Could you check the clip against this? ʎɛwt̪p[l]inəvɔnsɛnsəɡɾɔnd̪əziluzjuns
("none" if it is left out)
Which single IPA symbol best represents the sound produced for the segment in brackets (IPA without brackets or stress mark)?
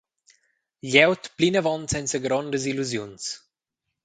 l